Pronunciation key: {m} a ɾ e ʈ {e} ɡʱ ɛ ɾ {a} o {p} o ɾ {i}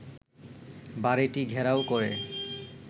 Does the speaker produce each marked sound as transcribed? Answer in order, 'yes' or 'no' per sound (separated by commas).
no, no, yes, no, no